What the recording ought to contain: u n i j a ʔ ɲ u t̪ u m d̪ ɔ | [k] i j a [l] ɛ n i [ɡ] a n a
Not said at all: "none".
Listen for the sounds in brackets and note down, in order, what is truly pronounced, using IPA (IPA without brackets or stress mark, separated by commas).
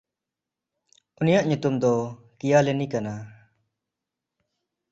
k, l, k